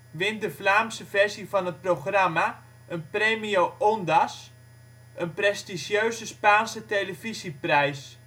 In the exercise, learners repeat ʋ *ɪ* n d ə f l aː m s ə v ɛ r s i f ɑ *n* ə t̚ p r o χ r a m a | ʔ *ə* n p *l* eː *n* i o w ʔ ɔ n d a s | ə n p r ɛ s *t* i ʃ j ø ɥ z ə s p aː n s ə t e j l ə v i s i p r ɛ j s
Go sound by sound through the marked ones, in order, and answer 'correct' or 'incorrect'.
correct, correct, correct, incorrect: r, incorrect: m, correct

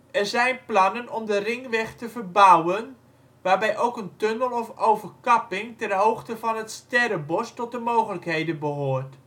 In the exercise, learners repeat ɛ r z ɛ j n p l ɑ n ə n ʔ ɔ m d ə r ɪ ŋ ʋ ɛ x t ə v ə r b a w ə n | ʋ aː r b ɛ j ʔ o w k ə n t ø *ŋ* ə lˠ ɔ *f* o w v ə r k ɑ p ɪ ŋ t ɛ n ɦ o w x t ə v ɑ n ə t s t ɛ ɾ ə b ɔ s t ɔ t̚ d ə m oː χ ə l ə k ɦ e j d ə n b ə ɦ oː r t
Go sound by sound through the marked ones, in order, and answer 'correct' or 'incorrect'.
incorrect: n, correct

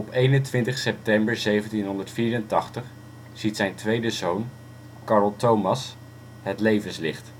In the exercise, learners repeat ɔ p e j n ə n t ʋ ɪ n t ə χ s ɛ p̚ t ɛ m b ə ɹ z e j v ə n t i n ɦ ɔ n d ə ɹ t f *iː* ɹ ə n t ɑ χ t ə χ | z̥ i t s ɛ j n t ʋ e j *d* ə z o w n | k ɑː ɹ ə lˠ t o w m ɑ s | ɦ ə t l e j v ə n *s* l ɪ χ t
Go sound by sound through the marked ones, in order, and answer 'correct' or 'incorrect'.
correct, correct, correct

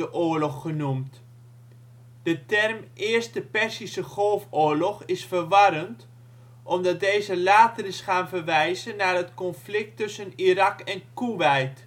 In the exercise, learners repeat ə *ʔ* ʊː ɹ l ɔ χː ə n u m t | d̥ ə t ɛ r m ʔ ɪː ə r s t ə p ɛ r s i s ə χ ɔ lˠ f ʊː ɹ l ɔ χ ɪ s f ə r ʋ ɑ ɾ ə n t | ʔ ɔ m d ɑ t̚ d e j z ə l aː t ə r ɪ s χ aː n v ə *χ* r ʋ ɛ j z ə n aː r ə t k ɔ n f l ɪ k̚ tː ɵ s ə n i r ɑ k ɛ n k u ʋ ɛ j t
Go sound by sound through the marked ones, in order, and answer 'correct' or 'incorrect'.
correct, incorrect: none

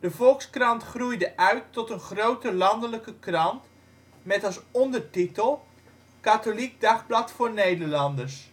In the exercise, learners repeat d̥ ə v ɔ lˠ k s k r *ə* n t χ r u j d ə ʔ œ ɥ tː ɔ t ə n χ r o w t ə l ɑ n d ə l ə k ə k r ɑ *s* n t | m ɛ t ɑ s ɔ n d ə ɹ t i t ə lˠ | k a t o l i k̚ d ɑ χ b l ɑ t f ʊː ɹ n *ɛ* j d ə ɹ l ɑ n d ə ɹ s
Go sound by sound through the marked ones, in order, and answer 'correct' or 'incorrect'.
incorrect: ɑ, incorrect: none, incorrect: e

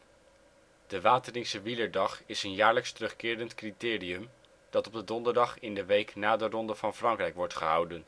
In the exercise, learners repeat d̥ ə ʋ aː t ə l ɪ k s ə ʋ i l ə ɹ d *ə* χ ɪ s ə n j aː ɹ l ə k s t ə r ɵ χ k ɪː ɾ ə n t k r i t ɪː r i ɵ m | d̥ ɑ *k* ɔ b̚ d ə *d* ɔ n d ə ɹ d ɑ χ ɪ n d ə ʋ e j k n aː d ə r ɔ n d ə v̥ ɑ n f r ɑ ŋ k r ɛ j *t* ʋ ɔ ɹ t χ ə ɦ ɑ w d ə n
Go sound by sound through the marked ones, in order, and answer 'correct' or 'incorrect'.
incorrect: ɑ, incorrect: t, correct, incorrect: k

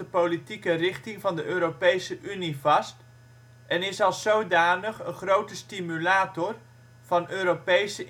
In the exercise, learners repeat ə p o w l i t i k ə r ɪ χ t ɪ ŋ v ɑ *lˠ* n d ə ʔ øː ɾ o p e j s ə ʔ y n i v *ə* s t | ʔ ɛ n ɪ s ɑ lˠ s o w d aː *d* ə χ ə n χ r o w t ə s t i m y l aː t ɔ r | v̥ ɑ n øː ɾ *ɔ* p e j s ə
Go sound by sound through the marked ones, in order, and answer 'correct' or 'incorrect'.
incorrect: none, incorrect: ɑ, incorrect: n, incorrect: o

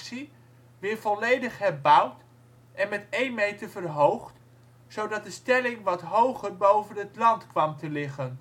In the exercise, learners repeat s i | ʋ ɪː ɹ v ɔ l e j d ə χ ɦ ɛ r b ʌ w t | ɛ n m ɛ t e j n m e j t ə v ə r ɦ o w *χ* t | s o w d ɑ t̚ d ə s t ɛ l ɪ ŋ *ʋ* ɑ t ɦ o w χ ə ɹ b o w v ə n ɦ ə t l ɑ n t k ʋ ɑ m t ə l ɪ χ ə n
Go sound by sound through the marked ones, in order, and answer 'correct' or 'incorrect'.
correct, correct

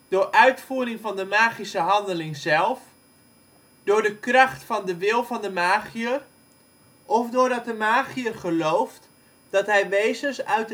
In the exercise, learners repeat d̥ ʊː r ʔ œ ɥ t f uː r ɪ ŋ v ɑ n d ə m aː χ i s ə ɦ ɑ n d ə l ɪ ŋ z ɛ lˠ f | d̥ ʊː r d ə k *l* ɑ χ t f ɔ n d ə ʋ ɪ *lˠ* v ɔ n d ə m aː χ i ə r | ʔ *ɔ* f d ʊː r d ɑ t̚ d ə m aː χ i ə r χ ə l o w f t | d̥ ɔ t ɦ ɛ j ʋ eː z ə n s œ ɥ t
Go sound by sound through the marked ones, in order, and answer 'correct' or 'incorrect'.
incorrect: r, correct, correct

